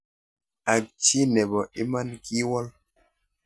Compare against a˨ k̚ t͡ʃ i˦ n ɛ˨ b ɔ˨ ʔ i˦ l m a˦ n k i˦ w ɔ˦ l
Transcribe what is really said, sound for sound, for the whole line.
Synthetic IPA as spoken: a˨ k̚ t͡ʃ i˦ n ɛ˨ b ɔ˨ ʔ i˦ m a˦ n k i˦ w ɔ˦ l

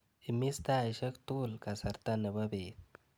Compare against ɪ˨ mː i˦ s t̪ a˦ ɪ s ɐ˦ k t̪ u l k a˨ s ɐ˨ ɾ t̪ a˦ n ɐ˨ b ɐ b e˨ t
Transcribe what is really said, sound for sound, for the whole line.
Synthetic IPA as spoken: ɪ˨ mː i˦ s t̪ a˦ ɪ ʃ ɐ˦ k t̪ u l k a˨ s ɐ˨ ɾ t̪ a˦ n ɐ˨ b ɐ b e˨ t

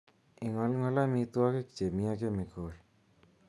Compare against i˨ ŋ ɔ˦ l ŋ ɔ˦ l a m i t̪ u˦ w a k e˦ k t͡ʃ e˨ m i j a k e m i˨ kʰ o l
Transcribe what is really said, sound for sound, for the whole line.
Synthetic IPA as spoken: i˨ ŋ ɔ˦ l ŋ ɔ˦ l a m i t̪ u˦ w a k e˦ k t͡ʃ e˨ m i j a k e m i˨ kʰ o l

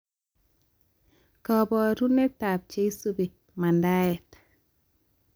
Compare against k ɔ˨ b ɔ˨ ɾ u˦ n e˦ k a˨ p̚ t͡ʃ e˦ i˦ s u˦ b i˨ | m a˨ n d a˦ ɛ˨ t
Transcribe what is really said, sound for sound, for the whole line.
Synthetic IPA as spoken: k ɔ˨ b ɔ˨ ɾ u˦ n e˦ t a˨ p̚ t͡ʃ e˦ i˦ s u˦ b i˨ | m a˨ n d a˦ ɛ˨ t

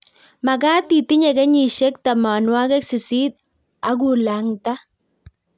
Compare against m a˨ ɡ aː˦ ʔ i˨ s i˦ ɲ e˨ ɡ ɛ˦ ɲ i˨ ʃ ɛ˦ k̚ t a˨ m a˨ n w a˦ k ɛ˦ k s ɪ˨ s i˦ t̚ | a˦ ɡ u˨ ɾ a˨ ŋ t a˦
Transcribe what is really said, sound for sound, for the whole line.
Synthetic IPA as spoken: m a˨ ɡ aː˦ t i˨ t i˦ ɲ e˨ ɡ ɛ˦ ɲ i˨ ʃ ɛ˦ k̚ t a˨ m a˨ n w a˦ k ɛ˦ k s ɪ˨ s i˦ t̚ | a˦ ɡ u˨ l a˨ ŋ t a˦

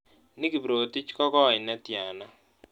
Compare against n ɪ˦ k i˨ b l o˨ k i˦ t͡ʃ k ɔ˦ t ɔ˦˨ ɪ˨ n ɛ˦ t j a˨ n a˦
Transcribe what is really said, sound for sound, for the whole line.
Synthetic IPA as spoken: n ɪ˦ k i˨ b ɾ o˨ t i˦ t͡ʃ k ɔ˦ k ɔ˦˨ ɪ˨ n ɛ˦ t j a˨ n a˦

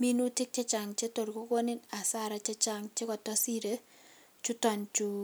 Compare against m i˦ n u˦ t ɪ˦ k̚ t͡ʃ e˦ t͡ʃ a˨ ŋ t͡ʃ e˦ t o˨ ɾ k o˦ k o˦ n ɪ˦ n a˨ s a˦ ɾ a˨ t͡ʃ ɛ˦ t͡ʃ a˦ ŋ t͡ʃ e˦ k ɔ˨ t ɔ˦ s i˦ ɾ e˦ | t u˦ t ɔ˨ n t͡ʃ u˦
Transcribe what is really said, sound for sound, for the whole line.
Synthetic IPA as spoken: m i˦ n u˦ t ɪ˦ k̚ t͡ʃ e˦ t͡ʃ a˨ ŋ t͡ʃ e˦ t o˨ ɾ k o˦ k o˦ n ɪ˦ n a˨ s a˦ ɾ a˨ t͡ʃ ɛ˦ t͡ʃ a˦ ŋ t͡ʃ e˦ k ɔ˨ t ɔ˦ s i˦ ɾ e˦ | t͡ʃ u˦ t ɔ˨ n t͡ʃ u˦

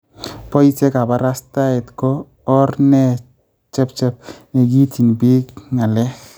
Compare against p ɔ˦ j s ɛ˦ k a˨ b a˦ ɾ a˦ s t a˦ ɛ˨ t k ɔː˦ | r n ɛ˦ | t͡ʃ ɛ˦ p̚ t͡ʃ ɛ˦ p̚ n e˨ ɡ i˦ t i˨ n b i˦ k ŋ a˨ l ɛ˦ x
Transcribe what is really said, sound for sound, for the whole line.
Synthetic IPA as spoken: p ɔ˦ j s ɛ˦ k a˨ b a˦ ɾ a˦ s t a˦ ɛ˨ t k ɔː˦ | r n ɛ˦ | t͡ʃ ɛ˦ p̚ t͡ʃ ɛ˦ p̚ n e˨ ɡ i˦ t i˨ n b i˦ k ŋ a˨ l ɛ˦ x

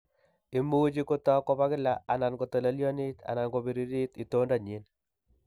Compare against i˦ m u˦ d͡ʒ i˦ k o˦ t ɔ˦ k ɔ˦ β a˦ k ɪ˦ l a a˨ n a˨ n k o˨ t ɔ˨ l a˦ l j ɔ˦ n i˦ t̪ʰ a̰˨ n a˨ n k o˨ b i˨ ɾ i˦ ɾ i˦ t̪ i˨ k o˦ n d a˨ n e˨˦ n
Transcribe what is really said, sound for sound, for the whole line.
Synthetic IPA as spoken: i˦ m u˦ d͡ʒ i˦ k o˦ t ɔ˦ k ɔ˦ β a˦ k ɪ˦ l a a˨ n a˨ n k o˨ t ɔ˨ l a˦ l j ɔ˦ n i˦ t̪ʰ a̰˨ n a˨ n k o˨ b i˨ ɾ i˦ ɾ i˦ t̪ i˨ t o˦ n d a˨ ɲ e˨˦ n

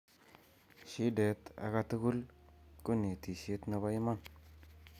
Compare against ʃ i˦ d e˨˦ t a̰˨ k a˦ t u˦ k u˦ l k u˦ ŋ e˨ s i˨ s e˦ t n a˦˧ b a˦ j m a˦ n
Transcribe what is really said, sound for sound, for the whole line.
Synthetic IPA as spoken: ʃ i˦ d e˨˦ t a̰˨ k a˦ t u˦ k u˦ l k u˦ n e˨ t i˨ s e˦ t n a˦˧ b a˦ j m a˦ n

